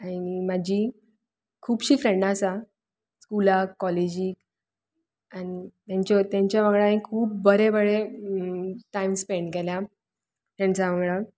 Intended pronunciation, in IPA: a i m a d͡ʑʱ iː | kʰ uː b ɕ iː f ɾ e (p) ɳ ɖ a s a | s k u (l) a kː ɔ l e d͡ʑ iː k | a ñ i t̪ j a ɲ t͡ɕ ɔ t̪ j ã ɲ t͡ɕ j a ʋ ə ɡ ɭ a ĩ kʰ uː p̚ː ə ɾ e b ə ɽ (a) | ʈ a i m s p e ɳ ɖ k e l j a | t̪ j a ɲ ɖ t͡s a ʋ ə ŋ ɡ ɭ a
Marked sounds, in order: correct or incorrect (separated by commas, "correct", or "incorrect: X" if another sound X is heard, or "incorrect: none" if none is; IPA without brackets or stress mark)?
incorrect: none, correct, incorrect: e